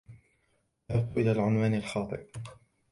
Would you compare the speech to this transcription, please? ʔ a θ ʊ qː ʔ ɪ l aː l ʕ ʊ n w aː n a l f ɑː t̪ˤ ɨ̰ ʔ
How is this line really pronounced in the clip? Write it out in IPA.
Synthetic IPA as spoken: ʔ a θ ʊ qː ʔ ɪ l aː l ʕ ʊ n w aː n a l x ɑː t̪ˤ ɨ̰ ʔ